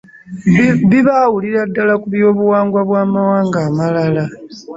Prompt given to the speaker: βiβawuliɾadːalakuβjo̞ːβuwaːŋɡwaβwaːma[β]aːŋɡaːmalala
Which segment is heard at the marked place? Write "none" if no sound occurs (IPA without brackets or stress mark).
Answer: w